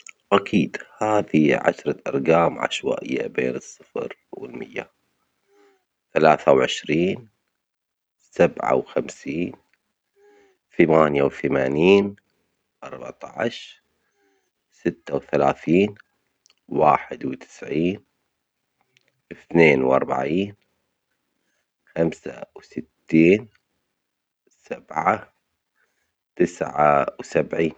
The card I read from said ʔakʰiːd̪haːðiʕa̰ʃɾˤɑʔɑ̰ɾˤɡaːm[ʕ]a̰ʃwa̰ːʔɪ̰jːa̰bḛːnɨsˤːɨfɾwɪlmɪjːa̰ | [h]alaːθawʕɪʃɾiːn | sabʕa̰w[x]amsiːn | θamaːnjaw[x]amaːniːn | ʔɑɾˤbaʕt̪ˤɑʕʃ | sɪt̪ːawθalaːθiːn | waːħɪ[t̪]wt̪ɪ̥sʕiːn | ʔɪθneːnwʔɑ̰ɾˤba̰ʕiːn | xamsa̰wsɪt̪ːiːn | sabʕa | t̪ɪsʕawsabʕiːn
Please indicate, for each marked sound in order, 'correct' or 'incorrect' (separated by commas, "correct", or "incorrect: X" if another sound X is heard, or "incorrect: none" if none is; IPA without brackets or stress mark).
correct, incorrect: θ, correct, incorrect: θ, incorrect: d̪